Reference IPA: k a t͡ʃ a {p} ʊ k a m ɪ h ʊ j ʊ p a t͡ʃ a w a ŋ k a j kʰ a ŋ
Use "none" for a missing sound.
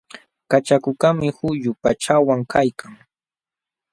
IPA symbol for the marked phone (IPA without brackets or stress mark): k